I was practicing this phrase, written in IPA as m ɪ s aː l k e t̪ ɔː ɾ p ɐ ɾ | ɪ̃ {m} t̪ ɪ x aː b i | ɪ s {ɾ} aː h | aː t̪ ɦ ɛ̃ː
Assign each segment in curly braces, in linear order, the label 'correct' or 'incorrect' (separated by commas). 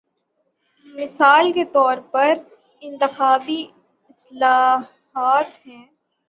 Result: incorrect, incorrect